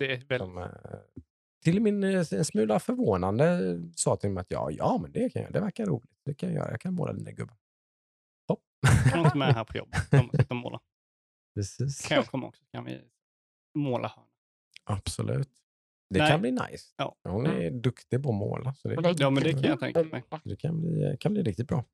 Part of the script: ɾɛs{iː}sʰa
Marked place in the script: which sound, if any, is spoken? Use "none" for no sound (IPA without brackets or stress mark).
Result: iː